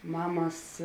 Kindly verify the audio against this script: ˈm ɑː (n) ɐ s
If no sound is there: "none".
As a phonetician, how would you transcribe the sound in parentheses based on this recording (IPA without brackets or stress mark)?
m